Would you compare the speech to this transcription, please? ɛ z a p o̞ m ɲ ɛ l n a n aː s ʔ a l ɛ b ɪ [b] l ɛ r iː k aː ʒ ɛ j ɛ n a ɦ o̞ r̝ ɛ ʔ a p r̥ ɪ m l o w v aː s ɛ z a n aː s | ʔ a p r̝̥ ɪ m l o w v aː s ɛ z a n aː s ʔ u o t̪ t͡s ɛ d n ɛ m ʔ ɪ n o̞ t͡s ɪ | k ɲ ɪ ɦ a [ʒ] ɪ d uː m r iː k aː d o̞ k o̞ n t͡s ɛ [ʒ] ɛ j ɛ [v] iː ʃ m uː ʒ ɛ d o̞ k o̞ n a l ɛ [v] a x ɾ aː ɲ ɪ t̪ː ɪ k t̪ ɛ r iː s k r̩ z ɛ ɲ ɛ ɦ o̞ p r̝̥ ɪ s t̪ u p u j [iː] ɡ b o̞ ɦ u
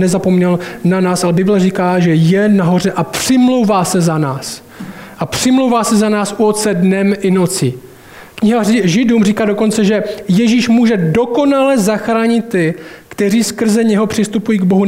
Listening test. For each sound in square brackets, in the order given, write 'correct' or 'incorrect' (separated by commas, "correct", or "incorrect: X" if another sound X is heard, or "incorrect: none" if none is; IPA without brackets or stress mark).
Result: correct, correct, correct, incorrect: ʒ, incorrect: z, correct